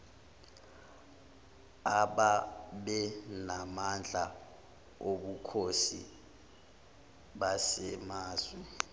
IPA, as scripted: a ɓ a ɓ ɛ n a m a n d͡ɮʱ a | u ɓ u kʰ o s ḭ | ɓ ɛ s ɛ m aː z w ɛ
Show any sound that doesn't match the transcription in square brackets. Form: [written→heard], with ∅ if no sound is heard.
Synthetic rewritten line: a ɓ a ɓ ɛ n a m a n d͡ɮʱ a | [u→o] ɓ u kʰ o s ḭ | ɓ [ɛ→a] s ɛ m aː z w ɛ